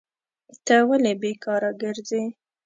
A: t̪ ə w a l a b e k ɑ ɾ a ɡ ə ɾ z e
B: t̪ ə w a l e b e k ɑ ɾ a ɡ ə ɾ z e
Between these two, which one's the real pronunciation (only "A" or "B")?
B